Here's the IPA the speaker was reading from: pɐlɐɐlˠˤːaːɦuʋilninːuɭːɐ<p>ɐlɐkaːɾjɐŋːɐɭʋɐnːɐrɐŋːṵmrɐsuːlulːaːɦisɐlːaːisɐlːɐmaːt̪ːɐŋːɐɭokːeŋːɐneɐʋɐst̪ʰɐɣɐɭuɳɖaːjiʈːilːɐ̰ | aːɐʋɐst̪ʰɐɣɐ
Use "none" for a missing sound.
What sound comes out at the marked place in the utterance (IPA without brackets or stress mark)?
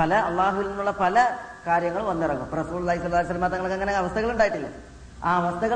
p